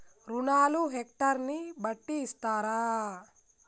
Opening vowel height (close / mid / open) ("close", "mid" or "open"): close